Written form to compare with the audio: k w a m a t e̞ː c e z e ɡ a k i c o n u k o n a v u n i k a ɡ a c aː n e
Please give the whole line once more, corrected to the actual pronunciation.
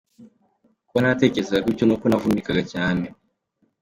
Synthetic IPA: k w a n a t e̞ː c e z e ɡ a k i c o n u k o n a v u n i k a ɡ a c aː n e